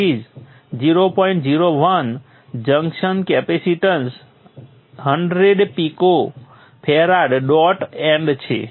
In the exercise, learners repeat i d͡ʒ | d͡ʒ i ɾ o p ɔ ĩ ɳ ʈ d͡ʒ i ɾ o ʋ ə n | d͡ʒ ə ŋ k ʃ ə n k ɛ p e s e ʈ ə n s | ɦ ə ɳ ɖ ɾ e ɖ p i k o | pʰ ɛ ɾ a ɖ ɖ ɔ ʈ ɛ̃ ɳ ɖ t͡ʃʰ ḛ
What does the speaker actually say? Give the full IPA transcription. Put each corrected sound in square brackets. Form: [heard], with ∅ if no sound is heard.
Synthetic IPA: i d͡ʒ | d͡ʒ i ɾ o p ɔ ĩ ɳ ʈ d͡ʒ i ɾ o ʋ ə n | d͡ʒ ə ŋ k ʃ ə n k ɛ p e s [i] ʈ ə n s | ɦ ə ɳ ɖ ɾ e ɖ p i k o | pʰ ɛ ɾ a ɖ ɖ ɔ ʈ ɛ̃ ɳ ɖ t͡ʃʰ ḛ

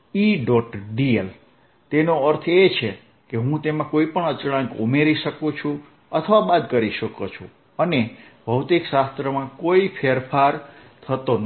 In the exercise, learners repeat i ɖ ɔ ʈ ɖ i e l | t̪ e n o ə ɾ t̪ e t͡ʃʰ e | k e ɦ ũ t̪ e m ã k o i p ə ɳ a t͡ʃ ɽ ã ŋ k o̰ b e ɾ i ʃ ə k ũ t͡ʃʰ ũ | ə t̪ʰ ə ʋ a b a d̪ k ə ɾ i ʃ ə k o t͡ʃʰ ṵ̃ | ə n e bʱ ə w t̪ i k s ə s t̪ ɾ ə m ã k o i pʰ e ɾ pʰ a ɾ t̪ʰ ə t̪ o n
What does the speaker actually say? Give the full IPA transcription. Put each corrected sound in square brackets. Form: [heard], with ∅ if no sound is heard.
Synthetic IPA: i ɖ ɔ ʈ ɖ i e l | t̪ e n o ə ɾ [t̪ʰ] e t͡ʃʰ e | k e ɦ ũ t̪ e m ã k o i p ə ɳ [ə] t͡ʃ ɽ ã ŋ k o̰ [m] e ɾ i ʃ ə k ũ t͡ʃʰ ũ | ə t̪ʰ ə ʋ a b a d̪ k ə ɾ i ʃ ə k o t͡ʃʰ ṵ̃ | ə n e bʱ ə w t̪ i k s [a] s t̪ ɾ ə m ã k o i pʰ e ɾ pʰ a ɾ t̪ʰ ə t̪ o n

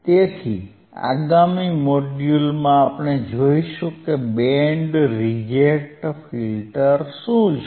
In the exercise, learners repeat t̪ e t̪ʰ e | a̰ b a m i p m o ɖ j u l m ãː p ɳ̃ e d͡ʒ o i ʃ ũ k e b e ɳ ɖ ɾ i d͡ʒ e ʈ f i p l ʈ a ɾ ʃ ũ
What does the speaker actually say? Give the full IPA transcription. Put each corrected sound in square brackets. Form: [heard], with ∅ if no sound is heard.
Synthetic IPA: t̪ e t̪ʰ [i] | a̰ [ɡ] a m i [∅] m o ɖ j u l m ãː p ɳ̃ e d͡ʒ o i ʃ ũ k e b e ɳ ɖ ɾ i d͡ʒ e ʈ f i [∅] l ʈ [ə] ɾ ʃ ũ

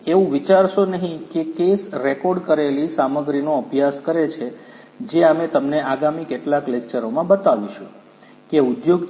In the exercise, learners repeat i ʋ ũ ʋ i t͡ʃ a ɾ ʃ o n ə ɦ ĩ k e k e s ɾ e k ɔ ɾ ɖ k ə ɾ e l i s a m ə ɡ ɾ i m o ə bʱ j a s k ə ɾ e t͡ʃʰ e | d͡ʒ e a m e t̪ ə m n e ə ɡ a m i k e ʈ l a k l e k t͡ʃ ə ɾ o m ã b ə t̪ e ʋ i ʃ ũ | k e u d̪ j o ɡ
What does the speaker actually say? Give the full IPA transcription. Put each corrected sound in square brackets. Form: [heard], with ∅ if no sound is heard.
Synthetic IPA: [e] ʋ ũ ʋ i t͡ʃ a ɾ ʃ o n ə ɦ ĩ k e k e s ɾ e k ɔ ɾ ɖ k ə ɾ e l i s a m ə ɡ ɾ i [n] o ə bʱ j a s k ə ɾ e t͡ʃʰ e | d͡ʒ e a m e t̪ ə m n e [a] ɡ a m i k e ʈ l a k l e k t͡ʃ ə ɾ o m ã b ə t̪ [a] ʋ i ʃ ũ | k e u d̪ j o ɡ

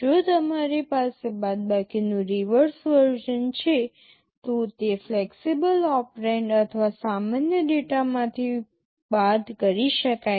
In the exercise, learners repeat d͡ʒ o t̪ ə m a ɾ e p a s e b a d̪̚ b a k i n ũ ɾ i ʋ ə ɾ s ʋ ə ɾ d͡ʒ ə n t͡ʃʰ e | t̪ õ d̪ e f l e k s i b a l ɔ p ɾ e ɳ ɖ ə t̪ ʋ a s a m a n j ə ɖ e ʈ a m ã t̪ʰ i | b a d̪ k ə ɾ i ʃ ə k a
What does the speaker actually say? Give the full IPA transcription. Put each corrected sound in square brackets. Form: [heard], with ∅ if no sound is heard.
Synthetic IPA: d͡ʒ o t̪ ə m a ɾ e p a s e b a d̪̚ b a k i n ũ ɾ i ʋ ə ɾ s ʋ ə ɾ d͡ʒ ə n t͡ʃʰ e | t̪ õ [t̪] e f l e k s i b [ə] l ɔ p ɾ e ɳ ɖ ə [t̪ʰ] ʋ a s a m a n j ə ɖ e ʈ a m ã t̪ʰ i | b a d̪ k ə ɾ i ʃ ə k a

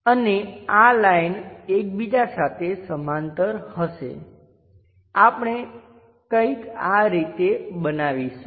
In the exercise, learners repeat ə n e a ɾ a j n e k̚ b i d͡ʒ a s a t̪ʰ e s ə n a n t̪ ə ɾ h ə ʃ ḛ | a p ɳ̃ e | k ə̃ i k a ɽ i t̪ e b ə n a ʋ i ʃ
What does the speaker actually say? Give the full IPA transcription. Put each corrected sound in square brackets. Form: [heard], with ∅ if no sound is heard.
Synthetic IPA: ə n e a [l] a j n e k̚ b i d͡ʒ a s a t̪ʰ e s ə [m] a n t̪ ə ɾ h ə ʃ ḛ | a p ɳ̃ e | k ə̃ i k a [ɾ] i t̪ e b ə n a ʋ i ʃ

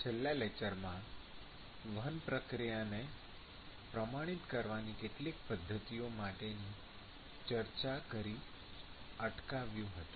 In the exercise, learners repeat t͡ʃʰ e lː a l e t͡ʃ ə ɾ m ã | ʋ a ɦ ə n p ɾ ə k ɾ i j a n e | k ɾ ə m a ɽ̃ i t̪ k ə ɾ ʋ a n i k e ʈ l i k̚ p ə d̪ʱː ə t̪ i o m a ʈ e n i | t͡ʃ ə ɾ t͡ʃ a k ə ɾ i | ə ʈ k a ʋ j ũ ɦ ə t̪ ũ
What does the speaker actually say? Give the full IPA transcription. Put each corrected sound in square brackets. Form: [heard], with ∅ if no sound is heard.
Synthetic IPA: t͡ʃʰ e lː a l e t͡ʃ ə ɾ m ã | ʋ [ə] ɦ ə n p ɾ ə k ɾ i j a n e | [p] ɾ ə m a ɽ̃ i t̪ k ə ɾ ʋ a n i k e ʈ l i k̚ p ə d̪ʱː ə t̪ i o m a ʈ e n i | t͡ʃ ə ɾ t͡ʃ a k ə ɾ i | ə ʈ k a ʋ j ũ ɦ ə t̪ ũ

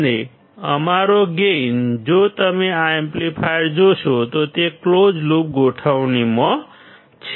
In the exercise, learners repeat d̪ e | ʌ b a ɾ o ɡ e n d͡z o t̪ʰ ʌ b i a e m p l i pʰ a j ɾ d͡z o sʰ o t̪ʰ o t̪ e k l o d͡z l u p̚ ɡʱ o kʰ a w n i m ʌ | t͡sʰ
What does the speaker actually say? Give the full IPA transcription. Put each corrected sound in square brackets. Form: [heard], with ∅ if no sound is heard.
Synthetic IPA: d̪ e | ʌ [m] a ɾ o ɡ e n d͡z o [t̪] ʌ [m] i a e m p l i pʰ a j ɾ d͡z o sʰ o [t̪] o t̪ e k l o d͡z l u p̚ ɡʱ o [ʈʰ] a w n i m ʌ | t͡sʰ

